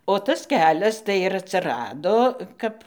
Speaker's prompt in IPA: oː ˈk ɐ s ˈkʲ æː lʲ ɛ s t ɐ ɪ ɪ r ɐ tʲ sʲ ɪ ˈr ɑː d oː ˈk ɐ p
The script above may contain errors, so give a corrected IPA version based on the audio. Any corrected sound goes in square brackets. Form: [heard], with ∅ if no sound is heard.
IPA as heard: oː [ˈt] ɐ s ˈkʲ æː lʲ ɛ s t ɐ ɪ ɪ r ɐ tʲ sʲ ɪ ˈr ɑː d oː ˈk ɐ p